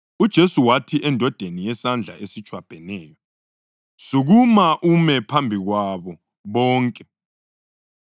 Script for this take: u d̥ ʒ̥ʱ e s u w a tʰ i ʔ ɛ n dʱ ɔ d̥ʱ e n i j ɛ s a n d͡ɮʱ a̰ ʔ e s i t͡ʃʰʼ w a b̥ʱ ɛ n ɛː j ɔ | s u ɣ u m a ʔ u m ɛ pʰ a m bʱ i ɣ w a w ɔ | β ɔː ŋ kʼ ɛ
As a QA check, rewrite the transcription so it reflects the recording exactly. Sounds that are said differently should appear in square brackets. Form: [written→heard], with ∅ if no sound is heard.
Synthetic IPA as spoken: u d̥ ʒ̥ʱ e s u w a tʰ i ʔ ɛ n dʱ ɔ d̥ʱ e n i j ɛ s a n d͡ɮʱ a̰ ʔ e s i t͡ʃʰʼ w a b̥ʱ ɛ n ɛː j ɔ | s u ɣ u m a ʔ u m ɛ pʰ a m bʱ i ɣ w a [w→β] ɔ | β ɔː ŋ kʼ ɛ